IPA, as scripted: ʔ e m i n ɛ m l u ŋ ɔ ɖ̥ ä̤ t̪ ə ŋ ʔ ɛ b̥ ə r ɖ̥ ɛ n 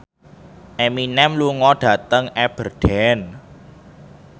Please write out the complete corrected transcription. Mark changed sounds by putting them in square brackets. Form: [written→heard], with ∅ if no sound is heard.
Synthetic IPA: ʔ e m i n ɛ m l u ŋ ɔ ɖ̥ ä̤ t̪ ə ŋ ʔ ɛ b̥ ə r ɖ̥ ɛ n